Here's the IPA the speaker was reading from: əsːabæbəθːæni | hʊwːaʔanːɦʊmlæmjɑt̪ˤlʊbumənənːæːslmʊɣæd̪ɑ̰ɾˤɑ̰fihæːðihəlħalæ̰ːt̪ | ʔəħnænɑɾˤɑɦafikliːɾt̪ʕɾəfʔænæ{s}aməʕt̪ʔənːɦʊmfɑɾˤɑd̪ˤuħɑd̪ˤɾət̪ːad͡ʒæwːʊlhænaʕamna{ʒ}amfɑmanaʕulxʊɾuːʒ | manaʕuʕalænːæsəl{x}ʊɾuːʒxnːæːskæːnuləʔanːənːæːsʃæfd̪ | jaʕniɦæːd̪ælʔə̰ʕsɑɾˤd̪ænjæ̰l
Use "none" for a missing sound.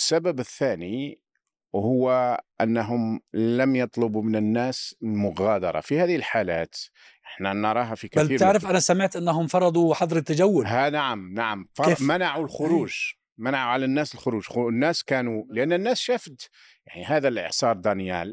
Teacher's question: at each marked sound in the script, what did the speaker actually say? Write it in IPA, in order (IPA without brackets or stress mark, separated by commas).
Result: s, ʕ, x